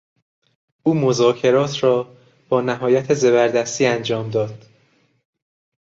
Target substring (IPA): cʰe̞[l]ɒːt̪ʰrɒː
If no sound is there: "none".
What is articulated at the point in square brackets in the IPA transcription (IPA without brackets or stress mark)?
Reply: ɾ